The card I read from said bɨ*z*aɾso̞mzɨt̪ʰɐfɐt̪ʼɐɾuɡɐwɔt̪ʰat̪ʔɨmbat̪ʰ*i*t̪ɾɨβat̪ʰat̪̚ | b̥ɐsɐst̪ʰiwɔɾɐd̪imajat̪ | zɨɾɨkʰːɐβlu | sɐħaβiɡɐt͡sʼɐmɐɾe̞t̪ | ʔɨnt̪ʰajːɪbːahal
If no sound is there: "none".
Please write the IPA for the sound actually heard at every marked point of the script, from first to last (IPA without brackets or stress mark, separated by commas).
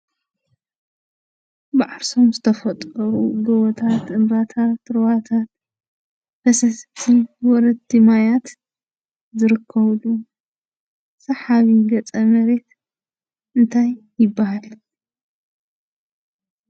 ʕ, a